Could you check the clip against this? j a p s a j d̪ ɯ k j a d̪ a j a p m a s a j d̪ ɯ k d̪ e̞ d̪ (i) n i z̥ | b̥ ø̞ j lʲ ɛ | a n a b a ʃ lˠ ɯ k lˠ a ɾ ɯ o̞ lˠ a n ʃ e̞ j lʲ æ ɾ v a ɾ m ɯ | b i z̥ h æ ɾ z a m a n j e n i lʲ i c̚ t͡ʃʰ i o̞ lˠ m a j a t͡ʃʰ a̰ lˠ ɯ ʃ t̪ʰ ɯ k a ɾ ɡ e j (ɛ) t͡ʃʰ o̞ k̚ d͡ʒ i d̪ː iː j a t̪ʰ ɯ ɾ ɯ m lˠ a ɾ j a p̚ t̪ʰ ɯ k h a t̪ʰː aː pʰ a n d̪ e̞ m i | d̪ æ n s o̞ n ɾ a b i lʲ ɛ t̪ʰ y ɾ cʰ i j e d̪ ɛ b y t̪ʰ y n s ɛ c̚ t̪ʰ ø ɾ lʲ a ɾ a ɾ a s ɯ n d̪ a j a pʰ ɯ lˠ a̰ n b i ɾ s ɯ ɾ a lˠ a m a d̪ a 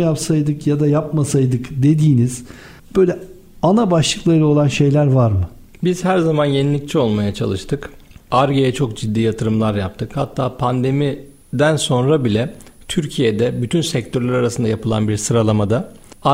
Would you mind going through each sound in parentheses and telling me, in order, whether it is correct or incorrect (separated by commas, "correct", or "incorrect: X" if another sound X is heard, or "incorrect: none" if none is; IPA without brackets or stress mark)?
incorrect: iː, correct